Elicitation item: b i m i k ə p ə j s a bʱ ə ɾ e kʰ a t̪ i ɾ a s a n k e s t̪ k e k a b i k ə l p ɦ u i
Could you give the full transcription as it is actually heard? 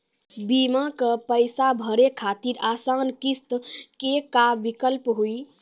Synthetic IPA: b i m a k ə p ə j s a bʱ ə ɾ e kʰ a t̪ i ɾ a s a n k i s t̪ k e k a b i k ə l p ɦ u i